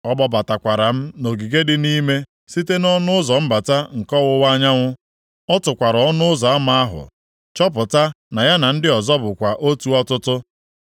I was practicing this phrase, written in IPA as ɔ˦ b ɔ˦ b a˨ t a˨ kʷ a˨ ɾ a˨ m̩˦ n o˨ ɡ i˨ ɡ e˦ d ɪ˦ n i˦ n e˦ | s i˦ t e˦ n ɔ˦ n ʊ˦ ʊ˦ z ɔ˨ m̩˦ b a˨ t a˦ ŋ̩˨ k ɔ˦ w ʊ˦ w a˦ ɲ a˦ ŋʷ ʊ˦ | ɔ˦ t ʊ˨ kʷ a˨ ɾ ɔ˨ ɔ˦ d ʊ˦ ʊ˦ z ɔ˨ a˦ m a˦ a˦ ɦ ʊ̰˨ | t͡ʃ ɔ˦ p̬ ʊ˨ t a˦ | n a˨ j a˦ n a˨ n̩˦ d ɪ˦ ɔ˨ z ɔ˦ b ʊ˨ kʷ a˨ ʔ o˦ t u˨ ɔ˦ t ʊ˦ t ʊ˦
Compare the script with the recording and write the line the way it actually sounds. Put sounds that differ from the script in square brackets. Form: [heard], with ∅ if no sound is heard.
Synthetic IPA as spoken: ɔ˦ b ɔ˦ b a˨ t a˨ kʷ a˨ ɾ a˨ m̩˦ n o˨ ɡ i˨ ɡ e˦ d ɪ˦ n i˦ [m] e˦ | s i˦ t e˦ n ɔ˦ n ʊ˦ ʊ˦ z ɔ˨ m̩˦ b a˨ t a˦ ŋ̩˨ k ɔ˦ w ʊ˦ w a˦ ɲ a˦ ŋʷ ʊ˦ | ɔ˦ t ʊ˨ kʷ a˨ ɾ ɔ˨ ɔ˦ [n] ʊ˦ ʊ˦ z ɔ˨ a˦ m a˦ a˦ ɦ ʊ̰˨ | t͡ʃ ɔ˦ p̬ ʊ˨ t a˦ | n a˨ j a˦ n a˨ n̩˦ d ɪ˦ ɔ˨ z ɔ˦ b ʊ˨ kʷ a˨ ʔ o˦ t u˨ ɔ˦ t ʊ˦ t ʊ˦